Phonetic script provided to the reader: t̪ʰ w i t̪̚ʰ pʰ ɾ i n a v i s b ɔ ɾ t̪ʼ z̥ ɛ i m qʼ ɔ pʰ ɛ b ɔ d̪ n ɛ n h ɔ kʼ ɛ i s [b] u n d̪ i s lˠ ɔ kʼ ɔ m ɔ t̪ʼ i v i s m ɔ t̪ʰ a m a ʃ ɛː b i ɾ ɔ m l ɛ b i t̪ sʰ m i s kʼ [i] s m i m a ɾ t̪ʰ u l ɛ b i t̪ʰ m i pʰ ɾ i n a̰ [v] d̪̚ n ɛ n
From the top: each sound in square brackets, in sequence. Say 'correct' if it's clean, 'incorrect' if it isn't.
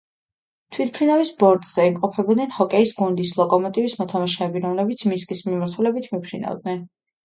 incorrect: ɡ, correct, correct

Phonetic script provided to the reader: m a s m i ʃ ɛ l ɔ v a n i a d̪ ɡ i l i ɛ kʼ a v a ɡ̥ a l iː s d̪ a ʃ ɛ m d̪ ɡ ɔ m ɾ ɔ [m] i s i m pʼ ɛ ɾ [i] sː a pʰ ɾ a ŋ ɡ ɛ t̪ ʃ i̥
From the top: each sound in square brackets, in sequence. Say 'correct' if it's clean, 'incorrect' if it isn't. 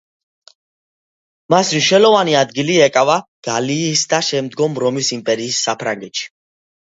correct, incorrect: iː

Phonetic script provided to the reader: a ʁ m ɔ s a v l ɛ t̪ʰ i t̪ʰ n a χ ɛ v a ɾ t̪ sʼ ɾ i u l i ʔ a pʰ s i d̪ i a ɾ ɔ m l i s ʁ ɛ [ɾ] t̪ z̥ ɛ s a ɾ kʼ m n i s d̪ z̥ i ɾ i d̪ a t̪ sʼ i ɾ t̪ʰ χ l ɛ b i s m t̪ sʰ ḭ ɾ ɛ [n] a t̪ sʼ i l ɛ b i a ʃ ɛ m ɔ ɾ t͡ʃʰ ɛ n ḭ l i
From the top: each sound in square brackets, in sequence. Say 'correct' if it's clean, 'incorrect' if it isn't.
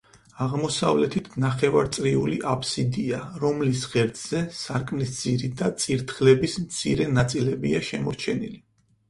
correct, correct

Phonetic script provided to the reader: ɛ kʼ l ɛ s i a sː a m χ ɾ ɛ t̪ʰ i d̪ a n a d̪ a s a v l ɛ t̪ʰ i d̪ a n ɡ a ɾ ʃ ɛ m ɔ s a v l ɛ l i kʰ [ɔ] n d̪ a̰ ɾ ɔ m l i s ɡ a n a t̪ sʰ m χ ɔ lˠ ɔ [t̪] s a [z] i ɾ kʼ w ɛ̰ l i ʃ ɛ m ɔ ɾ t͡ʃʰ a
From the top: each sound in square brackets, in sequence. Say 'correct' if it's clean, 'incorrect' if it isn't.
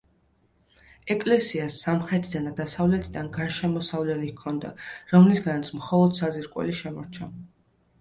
correct, incorrect: d̪, correct

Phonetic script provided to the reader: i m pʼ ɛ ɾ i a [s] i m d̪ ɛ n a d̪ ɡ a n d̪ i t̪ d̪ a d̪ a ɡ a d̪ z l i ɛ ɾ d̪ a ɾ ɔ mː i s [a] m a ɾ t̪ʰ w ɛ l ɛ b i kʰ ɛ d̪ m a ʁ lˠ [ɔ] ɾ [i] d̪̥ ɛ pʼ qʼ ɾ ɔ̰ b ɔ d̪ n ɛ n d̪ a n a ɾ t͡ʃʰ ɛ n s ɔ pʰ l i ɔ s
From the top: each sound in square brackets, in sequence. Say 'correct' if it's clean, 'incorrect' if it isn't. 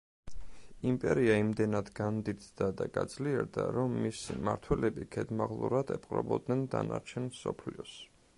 incorrect: none, incorrect: i, incorrect: u, incorrect: a

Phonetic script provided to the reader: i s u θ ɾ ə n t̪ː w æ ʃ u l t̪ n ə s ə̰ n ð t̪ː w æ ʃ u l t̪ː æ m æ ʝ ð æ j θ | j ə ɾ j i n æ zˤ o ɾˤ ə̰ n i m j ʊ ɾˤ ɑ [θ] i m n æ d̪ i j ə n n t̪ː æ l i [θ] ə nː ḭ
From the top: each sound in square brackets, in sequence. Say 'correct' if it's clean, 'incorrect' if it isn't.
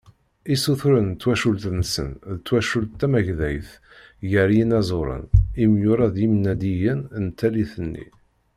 incorrect: ð, correct

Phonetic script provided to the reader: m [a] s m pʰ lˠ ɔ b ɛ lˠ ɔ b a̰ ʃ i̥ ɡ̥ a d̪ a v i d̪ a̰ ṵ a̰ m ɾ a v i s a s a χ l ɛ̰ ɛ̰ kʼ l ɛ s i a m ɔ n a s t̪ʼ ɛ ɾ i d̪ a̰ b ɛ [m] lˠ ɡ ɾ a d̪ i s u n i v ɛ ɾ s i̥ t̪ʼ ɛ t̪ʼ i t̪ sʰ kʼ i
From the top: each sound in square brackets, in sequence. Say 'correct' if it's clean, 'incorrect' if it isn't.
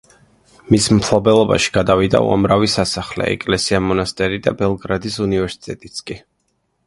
incorrect: i, incorrect: none

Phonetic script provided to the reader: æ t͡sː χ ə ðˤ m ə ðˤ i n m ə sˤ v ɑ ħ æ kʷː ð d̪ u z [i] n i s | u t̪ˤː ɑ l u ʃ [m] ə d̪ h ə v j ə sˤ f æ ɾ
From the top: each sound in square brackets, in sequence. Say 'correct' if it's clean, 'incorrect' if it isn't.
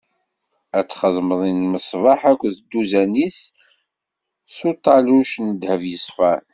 incorrect: æ, incorrect: n

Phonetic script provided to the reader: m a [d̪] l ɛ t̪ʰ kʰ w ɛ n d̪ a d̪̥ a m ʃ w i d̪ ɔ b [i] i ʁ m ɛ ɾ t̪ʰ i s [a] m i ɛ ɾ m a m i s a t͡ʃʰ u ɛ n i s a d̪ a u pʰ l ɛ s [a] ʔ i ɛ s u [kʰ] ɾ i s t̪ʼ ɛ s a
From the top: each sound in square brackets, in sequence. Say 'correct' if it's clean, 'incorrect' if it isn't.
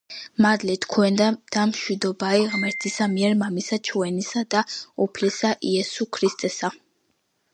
correct, incorrect: a, correct, correct, correct

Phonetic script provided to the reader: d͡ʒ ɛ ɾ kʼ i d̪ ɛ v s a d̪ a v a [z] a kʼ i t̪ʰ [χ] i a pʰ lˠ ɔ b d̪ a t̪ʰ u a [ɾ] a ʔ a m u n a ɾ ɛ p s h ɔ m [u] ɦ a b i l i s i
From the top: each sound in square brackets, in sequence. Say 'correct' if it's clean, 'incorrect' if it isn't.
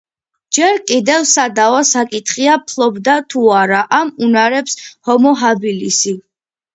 incorrect: s, correct, correct, incorrect: ɔ

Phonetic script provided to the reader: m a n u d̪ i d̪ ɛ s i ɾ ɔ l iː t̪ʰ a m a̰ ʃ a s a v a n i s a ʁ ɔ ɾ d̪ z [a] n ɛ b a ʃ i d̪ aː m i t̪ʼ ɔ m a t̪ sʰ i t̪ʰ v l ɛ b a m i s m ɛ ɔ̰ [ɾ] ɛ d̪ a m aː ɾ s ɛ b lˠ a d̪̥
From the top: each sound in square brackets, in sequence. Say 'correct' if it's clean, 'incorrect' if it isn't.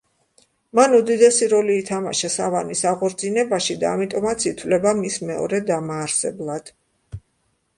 incorrect: i, correct

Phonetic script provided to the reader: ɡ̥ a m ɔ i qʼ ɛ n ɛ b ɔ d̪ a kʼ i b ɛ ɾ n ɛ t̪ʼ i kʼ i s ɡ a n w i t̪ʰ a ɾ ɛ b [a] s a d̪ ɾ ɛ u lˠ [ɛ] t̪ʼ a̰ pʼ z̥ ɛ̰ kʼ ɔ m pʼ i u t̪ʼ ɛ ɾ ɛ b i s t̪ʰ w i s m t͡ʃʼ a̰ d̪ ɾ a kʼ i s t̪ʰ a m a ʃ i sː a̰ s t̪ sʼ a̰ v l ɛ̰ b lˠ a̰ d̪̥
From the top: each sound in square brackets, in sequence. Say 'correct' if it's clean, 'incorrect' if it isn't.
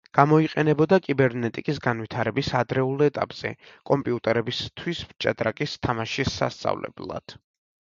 incorrect: i, correct

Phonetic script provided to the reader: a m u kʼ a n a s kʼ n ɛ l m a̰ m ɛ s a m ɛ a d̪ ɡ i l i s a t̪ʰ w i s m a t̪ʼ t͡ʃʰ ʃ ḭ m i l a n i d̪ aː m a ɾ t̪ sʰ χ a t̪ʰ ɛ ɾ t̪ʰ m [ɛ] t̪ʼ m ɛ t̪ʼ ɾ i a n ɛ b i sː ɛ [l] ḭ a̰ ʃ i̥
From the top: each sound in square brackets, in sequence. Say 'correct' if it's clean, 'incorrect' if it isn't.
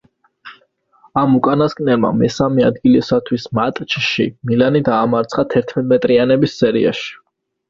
correct, incorrect: ɾ

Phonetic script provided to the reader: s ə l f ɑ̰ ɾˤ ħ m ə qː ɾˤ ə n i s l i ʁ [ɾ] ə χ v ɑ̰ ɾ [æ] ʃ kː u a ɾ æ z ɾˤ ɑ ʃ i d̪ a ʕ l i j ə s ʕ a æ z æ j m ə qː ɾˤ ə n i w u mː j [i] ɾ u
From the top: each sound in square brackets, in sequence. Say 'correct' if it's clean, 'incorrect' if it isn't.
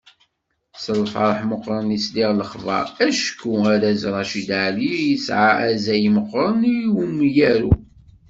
incorrect: l, correct, incorrect: æ

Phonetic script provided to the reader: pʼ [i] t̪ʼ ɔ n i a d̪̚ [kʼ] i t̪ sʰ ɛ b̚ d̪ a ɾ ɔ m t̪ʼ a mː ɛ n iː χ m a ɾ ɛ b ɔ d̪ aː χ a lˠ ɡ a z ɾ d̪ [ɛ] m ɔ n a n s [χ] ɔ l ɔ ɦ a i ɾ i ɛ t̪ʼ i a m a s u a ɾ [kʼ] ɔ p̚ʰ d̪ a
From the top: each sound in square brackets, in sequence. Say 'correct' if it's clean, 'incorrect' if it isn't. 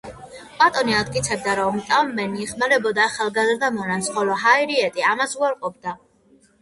incorrect: a, correct, incorrect: a, correct, incorrect: qʼ

